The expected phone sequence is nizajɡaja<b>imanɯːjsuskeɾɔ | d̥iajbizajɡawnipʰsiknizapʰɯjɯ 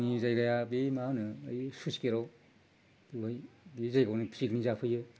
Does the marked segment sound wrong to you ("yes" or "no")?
no